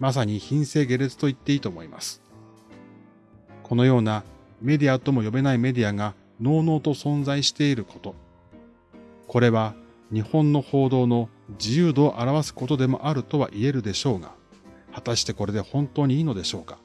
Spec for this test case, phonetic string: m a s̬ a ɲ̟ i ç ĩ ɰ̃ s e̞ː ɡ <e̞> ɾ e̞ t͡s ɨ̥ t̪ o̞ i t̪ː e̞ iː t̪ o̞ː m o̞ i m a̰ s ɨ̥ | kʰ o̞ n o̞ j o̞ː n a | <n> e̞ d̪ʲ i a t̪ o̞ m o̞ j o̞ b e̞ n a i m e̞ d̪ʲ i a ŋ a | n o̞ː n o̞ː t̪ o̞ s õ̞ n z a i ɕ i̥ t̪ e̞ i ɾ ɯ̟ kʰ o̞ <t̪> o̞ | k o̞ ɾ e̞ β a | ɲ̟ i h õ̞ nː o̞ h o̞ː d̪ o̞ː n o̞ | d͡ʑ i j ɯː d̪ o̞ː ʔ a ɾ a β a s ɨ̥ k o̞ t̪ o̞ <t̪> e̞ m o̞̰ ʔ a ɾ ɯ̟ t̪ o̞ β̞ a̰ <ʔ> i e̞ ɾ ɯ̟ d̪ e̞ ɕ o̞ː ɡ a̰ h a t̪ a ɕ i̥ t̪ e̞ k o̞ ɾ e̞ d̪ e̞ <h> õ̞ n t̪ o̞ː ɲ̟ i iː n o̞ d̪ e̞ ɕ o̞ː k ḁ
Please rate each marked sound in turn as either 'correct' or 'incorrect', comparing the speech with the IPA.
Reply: correct, incorrect: m, correct, incorrect: d̪, correct, correct

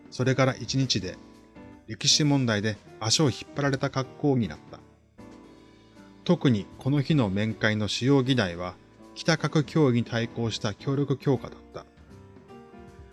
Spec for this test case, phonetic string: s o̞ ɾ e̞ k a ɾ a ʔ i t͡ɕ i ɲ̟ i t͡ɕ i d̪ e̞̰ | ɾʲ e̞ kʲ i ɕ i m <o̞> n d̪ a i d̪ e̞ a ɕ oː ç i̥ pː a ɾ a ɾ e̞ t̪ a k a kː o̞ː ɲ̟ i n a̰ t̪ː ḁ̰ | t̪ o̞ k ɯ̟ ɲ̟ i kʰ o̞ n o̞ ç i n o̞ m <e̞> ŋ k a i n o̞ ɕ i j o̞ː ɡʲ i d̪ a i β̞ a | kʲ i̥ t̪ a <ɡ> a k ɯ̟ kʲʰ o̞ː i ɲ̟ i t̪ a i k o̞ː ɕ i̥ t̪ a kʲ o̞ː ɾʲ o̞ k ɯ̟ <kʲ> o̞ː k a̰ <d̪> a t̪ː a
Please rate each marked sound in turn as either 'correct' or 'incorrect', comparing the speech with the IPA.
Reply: incorrect: õ̞, incorrect: ẽ̞, incorrect: k, correct, correct

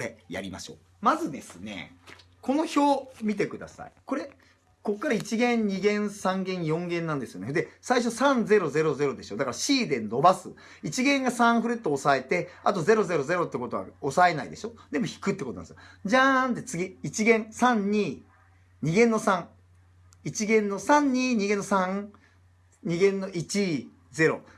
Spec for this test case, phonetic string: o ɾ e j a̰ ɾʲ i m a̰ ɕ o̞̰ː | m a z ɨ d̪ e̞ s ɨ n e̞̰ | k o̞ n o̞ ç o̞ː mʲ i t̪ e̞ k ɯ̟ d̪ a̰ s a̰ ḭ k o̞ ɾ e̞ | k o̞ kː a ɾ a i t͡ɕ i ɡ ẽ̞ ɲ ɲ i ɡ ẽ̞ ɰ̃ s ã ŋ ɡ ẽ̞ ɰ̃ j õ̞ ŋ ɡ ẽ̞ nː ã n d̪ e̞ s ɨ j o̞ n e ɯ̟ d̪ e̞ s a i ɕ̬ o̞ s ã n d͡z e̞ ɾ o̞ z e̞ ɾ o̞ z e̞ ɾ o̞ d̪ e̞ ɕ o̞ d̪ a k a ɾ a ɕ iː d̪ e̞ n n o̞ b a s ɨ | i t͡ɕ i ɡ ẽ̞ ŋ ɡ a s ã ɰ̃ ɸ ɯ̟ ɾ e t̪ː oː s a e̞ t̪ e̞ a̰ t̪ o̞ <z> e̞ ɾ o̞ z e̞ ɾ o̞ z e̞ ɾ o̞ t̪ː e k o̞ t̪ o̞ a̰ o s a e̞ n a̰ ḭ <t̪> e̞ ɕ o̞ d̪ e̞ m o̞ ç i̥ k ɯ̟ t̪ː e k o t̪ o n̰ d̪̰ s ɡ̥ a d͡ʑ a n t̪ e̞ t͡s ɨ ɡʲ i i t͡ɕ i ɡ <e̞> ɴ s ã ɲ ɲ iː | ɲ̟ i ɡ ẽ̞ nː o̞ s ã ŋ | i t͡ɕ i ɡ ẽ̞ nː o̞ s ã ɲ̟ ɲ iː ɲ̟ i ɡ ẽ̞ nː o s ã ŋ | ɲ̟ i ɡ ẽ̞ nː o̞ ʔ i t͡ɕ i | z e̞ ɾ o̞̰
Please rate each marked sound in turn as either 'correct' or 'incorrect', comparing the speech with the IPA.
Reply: correct, incorrect: d̪, incorrect: ẽ̞

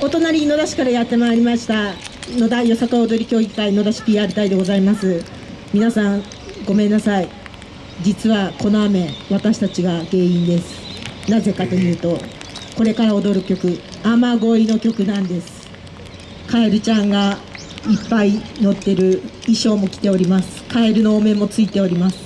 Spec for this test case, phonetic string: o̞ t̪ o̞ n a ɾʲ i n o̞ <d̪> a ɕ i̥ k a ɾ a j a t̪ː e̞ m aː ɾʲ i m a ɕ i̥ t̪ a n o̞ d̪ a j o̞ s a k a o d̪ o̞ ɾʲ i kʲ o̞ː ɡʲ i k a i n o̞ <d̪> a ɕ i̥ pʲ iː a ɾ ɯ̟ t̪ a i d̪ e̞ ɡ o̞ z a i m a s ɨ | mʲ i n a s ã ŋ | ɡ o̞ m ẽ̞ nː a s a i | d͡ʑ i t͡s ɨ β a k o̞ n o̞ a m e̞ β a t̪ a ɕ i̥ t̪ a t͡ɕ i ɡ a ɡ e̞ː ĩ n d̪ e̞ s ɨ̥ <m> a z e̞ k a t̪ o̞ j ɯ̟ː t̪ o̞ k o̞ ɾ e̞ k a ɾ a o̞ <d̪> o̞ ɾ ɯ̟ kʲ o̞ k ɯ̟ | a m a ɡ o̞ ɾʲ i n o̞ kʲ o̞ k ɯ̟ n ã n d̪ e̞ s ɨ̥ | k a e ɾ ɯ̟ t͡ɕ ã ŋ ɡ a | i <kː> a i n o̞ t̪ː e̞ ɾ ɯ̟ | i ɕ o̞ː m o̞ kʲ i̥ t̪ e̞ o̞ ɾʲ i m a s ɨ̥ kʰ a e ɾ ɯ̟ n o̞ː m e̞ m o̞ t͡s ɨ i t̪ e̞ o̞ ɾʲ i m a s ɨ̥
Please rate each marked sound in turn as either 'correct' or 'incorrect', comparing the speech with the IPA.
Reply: correct, correct, incorrect: n, correct, incorrect: pː

